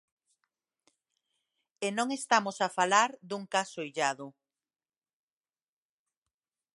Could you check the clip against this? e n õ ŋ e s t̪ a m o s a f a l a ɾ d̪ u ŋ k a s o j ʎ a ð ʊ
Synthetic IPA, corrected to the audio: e n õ ŋ e s t̪ a m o s a f a l a ɾ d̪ u ŋ k a s o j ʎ a ð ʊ